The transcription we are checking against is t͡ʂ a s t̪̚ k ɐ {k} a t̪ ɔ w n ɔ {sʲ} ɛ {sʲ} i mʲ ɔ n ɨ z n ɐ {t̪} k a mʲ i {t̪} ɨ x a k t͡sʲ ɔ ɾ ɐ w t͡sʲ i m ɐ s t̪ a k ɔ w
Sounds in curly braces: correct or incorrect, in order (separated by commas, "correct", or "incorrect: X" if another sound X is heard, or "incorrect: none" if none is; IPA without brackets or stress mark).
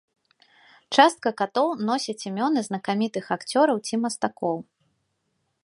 correct, correct, incorrect: t͡sʲ, incorrect: none, correct